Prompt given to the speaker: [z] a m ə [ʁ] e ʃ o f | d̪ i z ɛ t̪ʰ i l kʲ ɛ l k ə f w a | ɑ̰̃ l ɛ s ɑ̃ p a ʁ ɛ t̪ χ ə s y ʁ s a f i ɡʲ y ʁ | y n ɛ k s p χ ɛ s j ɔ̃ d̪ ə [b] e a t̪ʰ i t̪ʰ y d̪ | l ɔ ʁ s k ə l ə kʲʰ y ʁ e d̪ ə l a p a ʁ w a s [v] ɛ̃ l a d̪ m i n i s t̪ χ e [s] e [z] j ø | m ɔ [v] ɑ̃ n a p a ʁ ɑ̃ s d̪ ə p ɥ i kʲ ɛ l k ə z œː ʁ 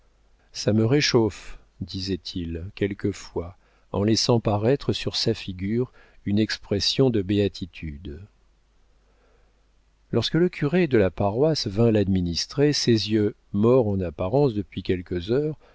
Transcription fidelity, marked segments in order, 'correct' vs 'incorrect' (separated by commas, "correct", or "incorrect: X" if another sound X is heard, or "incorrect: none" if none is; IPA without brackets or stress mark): incorrect: s, correct, correct, correct, correct, correct, incorrect: ʁ